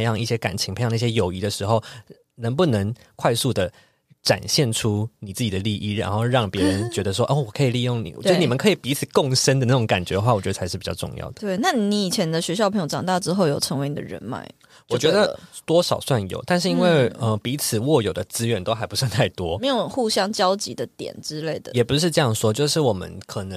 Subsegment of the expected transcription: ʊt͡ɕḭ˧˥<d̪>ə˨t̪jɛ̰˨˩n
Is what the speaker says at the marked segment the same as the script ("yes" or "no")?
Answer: yes